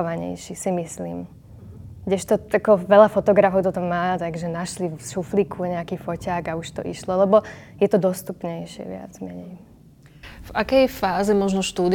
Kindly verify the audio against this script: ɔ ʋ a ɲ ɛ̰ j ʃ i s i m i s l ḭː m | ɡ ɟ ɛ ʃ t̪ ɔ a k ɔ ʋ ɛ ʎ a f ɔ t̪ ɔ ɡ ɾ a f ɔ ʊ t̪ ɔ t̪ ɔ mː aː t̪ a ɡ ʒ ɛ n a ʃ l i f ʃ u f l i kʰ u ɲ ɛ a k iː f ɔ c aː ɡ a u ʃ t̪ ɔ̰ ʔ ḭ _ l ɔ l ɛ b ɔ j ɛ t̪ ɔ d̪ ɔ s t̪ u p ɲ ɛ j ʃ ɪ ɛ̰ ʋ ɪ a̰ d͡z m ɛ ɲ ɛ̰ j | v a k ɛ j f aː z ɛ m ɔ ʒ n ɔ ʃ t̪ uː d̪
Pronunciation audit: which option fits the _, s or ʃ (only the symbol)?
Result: ʃ